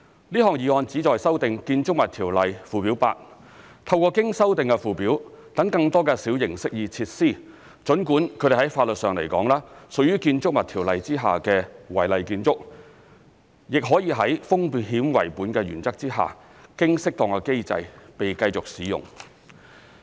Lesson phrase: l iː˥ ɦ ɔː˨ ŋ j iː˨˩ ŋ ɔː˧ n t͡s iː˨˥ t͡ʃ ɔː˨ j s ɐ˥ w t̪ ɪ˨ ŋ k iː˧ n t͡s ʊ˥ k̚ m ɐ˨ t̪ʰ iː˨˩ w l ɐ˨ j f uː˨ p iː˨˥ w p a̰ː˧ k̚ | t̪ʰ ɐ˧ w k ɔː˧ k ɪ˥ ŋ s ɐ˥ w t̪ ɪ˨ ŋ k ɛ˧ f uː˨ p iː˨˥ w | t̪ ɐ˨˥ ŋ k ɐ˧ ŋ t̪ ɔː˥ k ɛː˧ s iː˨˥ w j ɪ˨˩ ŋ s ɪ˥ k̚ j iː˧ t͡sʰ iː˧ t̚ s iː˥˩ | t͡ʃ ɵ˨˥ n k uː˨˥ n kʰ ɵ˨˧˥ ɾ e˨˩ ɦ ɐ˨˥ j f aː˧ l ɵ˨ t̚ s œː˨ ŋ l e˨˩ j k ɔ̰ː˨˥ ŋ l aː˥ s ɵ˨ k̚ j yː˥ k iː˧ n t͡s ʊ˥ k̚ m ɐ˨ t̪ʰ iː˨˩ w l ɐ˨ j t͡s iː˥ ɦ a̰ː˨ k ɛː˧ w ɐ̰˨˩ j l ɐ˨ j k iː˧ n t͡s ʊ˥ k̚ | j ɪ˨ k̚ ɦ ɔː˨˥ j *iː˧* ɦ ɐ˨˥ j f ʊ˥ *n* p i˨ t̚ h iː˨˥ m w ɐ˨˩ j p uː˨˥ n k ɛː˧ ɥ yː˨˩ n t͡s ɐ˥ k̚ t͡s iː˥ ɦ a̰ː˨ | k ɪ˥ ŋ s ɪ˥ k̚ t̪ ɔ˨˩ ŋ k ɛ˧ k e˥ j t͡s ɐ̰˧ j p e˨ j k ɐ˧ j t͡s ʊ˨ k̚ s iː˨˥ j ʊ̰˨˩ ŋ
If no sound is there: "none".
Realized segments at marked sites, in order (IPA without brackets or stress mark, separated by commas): iː˧, ŋ